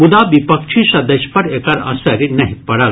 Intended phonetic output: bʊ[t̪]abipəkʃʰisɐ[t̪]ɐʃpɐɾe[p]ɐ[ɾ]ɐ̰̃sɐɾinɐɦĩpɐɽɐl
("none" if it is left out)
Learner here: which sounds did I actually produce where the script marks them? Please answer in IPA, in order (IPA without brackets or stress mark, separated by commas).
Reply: d̪, d̪, k, ɾ